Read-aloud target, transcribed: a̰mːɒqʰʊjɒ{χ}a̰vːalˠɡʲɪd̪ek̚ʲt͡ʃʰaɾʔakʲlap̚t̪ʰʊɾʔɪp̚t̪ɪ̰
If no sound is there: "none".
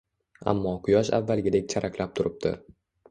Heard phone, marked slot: ʃ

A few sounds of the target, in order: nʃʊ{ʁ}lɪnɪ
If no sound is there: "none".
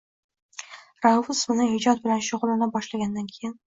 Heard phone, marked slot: ʁ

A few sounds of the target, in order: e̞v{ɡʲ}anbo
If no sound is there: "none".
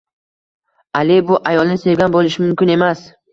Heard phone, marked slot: ɡʲ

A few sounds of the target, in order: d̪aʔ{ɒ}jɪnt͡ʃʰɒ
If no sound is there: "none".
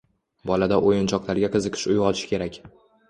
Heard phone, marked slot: o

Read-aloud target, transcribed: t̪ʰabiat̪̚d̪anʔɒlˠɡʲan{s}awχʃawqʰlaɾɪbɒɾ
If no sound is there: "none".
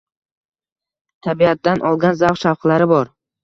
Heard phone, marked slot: z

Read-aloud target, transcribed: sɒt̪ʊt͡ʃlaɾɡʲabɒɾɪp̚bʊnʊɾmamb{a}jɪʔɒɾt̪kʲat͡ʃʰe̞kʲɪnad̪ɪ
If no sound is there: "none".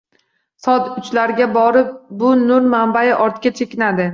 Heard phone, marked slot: a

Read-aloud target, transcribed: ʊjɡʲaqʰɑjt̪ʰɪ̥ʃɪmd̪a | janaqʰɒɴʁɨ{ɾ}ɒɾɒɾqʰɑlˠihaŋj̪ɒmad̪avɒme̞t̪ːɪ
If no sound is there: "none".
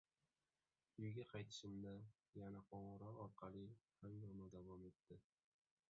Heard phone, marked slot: ɾ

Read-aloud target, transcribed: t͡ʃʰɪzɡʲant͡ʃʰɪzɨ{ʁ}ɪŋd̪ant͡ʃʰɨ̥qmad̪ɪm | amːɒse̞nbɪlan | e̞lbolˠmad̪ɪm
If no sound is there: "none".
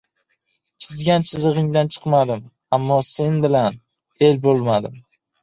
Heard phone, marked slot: ʁ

